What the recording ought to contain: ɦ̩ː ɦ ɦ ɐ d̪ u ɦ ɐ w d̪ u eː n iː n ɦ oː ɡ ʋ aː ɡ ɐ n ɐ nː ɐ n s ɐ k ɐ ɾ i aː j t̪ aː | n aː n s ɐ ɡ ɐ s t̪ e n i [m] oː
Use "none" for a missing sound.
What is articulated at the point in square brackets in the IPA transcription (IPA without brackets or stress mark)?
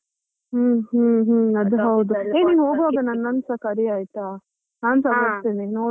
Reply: n